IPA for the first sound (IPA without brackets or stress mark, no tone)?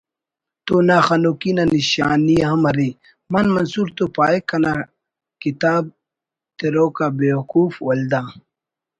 t̪